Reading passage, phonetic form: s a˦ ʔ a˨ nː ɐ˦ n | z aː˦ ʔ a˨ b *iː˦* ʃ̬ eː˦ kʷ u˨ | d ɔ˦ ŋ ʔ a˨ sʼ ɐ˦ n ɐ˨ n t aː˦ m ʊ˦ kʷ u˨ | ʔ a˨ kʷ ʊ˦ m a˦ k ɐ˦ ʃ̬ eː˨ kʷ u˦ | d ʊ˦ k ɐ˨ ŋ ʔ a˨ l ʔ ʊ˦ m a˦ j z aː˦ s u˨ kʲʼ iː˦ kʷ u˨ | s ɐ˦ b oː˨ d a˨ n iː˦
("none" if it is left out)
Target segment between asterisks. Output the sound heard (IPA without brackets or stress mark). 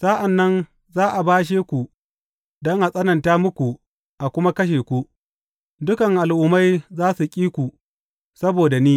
aː˦